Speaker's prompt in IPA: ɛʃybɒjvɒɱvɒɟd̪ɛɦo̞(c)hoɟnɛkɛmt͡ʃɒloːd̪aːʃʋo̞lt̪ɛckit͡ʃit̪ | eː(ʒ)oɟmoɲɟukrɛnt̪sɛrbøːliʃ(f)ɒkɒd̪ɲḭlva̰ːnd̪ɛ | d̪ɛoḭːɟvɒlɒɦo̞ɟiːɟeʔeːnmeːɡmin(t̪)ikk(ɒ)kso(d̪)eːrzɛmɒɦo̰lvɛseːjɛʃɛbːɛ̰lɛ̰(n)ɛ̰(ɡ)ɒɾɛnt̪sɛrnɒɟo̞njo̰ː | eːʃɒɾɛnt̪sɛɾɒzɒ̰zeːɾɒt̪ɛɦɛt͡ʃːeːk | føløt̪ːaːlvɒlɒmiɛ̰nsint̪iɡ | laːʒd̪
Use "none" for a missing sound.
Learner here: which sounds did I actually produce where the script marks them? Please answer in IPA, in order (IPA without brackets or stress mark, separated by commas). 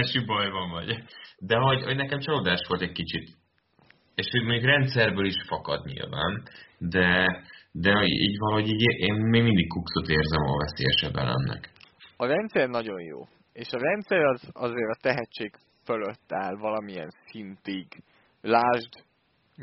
ɟ, ʃ, f, d̪, u, t̪, nː, k